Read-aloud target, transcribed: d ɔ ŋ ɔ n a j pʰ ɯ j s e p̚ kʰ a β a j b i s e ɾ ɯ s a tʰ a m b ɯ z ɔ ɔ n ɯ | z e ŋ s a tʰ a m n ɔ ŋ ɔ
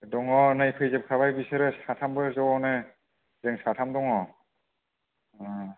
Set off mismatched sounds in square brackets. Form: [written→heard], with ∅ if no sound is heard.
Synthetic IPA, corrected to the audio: d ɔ ŋ ɔ n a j pʰ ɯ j [s→z] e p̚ kʰ a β a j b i s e ɾ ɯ s a tʰ a m b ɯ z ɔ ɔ n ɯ | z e ŋ s a tʰ a m [n→d] ɔ ŋ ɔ